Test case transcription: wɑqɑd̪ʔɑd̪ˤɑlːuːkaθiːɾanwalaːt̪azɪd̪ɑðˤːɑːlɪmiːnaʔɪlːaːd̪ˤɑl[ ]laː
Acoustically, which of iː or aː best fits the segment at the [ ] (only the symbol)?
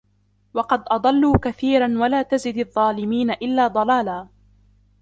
aː